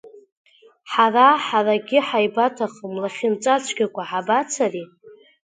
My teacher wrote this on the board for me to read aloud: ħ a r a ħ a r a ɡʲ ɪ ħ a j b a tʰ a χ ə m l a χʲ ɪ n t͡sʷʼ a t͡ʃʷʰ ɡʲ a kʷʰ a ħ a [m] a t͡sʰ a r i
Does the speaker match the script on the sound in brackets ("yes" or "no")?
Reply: no